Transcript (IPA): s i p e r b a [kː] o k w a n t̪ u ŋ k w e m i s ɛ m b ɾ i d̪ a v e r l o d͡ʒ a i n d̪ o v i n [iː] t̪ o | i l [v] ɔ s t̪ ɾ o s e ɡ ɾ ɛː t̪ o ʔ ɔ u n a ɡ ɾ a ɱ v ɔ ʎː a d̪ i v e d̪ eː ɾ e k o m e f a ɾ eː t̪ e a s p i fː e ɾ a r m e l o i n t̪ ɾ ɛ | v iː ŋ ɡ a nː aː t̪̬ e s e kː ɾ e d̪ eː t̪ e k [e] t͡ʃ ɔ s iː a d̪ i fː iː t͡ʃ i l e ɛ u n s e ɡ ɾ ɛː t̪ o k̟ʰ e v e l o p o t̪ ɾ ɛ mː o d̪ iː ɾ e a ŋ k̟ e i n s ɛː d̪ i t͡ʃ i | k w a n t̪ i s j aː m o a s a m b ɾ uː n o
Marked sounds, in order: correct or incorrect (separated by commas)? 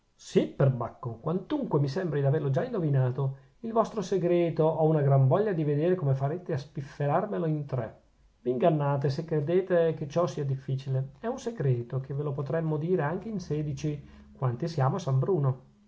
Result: correct, incorrect, correct, correct